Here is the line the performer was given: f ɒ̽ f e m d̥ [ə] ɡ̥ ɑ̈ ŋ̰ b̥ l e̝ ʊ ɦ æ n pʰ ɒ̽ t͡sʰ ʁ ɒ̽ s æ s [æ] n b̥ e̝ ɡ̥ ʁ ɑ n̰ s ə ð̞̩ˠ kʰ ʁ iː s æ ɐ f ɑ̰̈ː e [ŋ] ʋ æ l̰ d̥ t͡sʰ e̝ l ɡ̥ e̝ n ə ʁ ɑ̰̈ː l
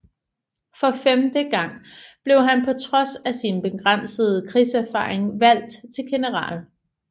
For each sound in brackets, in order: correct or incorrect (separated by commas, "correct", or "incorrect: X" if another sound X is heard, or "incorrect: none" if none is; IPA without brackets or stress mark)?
correct, incorrect: i, correct